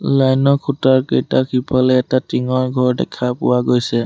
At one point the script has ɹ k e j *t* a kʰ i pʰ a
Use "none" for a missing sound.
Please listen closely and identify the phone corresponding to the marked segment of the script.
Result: t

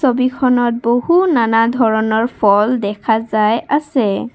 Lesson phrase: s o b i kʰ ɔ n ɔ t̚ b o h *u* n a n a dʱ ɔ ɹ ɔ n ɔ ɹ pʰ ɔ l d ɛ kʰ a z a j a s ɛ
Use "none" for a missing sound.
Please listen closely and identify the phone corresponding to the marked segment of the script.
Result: u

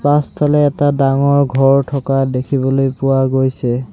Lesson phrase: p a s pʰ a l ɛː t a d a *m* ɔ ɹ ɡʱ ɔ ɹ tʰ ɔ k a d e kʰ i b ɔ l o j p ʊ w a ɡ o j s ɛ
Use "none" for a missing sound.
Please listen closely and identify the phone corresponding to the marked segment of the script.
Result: ŋ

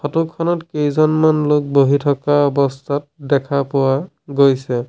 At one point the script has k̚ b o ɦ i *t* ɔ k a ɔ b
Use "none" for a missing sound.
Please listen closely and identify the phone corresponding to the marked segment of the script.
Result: tʰ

